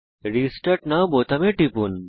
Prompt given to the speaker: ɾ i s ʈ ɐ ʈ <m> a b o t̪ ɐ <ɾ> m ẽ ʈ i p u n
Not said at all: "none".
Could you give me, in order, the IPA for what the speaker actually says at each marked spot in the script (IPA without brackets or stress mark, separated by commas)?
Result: n, none